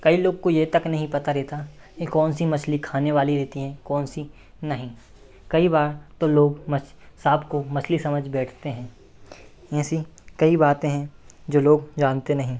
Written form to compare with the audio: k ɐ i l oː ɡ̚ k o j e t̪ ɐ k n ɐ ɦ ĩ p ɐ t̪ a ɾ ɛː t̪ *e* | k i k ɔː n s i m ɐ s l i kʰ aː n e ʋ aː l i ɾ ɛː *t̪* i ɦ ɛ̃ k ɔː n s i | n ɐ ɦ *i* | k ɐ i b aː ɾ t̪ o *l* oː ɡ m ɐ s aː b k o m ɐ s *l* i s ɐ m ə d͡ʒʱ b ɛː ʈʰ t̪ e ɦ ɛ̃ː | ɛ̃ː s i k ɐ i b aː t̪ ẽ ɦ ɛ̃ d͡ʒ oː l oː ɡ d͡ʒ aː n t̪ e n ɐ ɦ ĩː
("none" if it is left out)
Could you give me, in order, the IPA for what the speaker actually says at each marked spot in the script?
a, t̪, ĩ, l, l

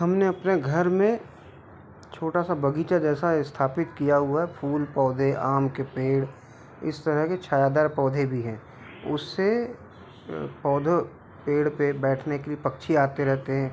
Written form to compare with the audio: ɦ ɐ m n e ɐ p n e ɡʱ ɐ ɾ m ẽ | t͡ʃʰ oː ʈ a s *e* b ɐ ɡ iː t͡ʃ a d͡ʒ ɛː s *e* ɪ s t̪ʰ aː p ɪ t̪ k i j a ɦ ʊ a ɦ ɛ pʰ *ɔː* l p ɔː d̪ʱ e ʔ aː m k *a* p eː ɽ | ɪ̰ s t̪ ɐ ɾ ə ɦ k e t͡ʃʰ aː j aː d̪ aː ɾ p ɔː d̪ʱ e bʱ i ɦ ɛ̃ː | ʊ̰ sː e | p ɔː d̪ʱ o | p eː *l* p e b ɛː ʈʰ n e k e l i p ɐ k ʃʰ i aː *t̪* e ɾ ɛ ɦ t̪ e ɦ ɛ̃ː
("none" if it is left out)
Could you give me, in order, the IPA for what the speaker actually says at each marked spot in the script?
a, a, uː, e, ɽ, t̪

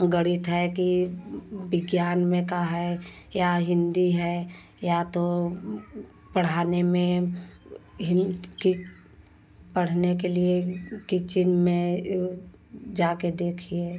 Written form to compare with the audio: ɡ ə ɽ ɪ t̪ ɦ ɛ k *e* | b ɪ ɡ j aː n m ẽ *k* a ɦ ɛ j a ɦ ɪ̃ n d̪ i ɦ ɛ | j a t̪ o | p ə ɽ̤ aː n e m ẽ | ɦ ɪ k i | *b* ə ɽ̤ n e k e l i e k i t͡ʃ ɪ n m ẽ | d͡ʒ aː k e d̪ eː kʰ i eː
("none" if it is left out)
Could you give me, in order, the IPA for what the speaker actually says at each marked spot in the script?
i, k, p

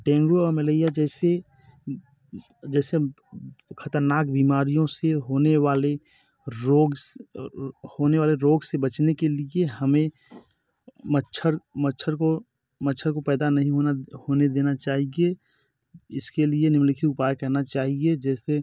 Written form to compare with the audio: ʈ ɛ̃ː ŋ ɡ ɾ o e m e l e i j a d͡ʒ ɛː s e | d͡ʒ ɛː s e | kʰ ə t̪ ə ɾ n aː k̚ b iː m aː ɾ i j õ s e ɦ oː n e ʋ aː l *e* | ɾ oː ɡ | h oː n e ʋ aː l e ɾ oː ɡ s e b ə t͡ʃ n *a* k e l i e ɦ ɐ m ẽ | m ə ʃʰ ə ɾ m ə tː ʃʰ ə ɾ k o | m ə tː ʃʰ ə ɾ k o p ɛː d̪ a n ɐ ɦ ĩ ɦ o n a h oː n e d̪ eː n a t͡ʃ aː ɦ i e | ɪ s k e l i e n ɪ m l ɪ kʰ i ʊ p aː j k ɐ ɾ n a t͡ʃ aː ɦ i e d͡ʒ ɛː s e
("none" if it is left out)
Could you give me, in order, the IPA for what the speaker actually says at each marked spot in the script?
e, e

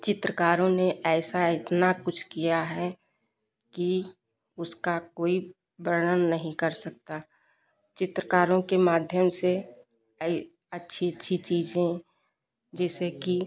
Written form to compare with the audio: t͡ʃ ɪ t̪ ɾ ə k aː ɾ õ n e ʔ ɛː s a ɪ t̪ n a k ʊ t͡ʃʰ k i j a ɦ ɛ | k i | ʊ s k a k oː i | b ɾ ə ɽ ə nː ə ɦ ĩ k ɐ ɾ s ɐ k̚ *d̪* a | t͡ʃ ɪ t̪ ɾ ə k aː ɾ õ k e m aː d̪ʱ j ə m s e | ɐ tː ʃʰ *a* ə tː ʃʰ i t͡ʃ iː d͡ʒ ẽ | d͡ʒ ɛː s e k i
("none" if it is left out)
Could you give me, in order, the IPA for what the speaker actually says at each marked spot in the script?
t̪, i

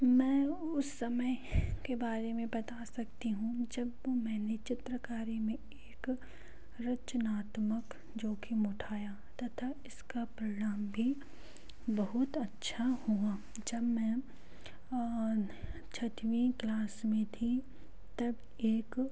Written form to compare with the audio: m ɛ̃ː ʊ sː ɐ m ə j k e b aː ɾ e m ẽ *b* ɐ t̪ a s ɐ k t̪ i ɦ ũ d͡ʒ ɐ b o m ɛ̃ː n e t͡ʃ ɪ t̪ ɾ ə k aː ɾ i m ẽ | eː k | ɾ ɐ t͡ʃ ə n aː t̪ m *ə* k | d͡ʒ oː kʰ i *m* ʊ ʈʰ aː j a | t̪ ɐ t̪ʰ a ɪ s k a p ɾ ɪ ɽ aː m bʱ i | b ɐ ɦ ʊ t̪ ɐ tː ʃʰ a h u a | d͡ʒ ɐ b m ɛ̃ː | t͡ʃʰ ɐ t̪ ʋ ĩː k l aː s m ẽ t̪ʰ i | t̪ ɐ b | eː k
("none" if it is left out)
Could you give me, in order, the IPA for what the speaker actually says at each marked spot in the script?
b, ə, m

